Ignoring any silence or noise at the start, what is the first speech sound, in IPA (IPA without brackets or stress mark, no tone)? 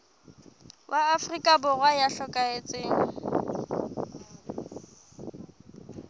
w